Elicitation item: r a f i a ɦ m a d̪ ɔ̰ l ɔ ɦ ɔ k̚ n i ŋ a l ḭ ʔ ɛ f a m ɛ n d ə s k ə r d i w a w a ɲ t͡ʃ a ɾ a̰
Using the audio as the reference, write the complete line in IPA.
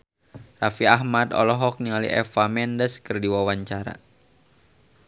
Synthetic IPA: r a f i a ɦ m a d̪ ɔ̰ l ɔ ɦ ɔ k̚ n i ŋ a l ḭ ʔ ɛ f a m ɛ n d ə s k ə r d i w a w a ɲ t͡ʃ a ɾ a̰